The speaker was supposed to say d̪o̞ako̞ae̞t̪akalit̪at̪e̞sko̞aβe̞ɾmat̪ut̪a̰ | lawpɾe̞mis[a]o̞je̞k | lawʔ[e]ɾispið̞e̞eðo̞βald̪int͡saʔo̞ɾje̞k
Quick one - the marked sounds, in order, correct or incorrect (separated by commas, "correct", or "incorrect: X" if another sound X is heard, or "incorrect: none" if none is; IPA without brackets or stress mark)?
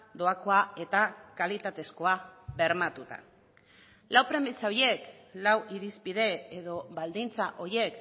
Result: correct, incorrect: i